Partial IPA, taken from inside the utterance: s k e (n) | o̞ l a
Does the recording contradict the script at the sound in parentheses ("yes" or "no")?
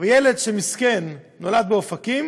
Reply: yes